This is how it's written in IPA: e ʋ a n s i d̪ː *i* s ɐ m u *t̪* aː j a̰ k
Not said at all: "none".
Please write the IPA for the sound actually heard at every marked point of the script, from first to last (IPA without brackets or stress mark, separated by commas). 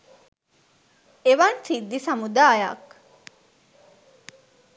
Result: i, d̪